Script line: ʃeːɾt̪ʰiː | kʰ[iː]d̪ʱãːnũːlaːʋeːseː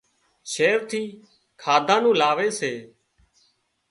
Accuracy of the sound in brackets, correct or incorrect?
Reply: incorrect